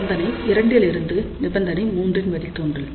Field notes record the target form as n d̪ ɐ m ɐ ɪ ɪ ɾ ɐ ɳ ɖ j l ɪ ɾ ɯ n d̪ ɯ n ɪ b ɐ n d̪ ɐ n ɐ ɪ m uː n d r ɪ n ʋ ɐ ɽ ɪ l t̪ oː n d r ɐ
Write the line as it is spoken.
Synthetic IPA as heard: n d̪ ɐ n ɐ ɪ ɪ ɾ ɐ ɳ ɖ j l ɪ ɾ ɯ n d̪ ɯ n ɪ b ɐ n d̪ ɐ n ɐ ɪ m uː n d r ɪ n ʋ ɐ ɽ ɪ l t̪ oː n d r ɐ